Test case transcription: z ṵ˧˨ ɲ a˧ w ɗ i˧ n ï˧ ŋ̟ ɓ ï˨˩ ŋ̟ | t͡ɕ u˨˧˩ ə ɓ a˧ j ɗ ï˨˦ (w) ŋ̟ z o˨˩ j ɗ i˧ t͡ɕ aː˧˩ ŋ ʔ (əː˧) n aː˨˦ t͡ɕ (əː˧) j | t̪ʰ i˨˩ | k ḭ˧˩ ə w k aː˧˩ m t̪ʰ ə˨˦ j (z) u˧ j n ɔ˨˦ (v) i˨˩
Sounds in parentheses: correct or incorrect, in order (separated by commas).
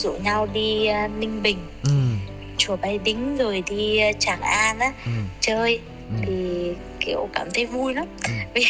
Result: incorrect, incorrect, correct, incorrect, correct